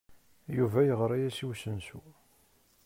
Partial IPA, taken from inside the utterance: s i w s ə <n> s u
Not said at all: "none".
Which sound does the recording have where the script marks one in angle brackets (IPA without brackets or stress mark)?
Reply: n